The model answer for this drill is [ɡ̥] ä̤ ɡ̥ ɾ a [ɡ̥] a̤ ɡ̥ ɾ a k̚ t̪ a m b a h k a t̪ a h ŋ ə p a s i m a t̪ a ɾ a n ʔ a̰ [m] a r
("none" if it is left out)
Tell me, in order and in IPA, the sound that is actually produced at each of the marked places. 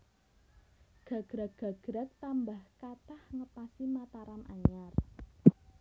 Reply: ɡ̥, ɡ̥, ɲ

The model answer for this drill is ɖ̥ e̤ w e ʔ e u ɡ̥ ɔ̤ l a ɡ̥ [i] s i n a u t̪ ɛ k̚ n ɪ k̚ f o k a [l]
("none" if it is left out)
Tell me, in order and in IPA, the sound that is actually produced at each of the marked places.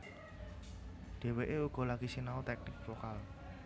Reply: i, l

